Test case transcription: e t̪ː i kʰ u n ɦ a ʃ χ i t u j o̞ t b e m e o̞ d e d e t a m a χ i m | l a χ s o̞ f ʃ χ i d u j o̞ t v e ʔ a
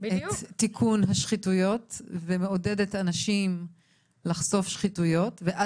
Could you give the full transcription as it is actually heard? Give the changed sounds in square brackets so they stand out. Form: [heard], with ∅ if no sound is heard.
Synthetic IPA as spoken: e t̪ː i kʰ u n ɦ a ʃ χ i t u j o̞ t [v] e m e o̞ d e d e t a [n] a [ʃ] i m | l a χ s o̞ f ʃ χ i [t] u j o̞ t v e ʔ a